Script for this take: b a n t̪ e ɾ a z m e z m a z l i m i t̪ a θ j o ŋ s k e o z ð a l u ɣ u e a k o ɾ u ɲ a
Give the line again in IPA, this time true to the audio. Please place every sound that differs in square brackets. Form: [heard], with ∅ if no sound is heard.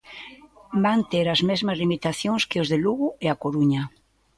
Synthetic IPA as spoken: b a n t̪ e ɾ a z m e z m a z l i m i t̪ a θ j o ŋ s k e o z ð [e] l u ɣ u e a k o ɾ u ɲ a